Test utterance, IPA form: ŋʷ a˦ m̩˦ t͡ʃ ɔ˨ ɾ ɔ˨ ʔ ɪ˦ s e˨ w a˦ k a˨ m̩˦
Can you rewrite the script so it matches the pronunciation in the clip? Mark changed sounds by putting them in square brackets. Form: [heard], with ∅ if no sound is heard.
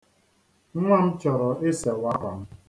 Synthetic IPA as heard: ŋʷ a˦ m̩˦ t͡ʃ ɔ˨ ɾ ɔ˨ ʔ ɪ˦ s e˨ w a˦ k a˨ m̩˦